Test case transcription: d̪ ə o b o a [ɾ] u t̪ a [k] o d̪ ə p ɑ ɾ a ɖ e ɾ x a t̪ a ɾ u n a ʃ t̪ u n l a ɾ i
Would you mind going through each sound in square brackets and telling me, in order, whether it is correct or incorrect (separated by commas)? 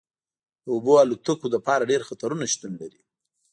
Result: incorrect, correct